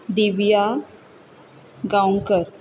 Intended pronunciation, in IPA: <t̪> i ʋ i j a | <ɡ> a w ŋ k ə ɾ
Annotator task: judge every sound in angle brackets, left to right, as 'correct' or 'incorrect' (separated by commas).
incorrect, correct